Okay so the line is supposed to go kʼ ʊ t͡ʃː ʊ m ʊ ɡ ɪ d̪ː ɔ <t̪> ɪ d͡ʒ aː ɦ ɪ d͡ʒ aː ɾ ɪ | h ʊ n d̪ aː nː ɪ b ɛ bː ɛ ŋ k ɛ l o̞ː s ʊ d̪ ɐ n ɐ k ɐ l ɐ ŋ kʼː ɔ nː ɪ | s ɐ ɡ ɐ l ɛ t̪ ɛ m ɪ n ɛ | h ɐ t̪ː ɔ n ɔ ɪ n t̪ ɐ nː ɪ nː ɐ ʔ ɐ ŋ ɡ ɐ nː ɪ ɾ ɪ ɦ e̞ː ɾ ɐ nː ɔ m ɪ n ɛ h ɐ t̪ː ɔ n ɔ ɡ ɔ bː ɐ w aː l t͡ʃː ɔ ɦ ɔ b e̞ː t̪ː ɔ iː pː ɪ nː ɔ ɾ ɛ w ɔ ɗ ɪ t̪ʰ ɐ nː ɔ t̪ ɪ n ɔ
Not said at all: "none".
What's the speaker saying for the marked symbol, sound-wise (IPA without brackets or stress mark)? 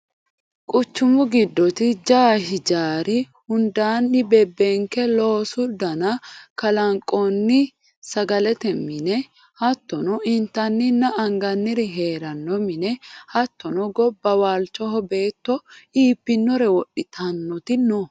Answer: t̪